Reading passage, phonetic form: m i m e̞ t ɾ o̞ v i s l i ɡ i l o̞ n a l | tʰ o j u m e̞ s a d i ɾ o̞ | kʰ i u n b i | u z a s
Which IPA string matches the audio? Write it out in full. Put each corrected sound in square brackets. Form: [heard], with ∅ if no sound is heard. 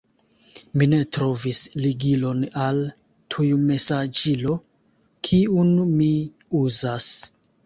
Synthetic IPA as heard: m i [n] e̞ t ɾ o̞ v i s l i ɡ i l o̞ n a l | tʰ [u] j u m e̞ s a [d͡ʒ] i [l] o̞ | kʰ i u n [m] i | u z a s